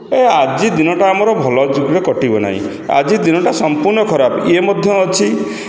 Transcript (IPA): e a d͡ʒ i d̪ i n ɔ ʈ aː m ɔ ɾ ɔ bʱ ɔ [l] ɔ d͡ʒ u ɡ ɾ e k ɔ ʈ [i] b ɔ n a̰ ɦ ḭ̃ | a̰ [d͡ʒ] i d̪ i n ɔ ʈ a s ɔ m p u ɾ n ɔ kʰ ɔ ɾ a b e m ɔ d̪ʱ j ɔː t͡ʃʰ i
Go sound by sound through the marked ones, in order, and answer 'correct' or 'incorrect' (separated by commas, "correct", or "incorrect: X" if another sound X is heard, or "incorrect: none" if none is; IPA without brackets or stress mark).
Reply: correct, correct, correct